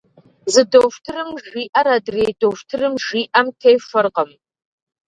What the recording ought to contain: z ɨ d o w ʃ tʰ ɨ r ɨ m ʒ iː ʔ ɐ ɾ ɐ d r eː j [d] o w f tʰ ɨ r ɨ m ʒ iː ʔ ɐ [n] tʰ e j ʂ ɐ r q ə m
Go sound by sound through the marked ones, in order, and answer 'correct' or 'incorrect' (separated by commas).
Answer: correct, incorrect